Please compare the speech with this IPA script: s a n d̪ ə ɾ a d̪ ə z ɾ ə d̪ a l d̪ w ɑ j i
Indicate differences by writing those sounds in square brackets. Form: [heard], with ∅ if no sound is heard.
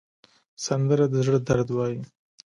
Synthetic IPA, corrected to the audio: s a n d̪ ə ɾ a d̪ ə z [ɽ] ə d̪ a [ɾ] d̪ w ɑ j i